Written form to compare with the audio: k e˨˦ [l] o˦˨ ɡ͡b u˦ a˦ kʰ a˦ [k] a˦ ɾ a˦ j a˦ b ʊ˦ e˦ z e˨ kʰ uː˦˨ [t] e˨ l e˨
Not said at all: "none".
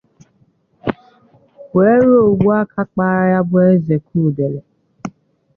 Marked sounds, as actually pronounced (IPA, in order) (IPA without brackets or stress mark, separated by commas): ɾ, k͡p, d